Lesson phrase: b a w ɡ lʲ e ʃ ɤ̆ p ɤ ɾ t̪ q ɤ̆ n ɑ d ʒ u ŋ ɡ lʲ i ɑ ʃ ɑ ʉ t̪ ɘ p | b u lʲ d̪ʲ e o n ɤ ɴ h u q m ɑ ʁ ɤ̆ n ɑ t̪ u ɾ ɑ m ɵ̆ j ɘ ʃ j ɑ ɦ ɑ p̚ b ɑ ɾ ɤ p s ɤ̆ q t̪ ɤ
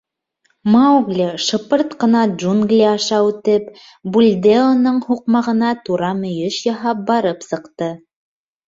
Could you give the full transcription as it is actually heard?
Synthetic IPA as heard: m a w ɡ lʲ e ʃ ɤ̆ p ɤ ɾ t̪ q ɤ̆ n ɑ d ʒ u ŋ ɡ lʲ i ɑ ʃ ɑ ʉ t̪ ɘ p | b u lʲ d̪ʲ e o n ɤ ɴ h u q m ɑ ʁ ɤ̆ n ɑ t̪ u ɾ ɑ m ɵ̆ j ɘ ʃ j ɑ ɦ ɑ p̚ b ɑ ɾ ɤ p s ɤ̆ q t̪ ɤ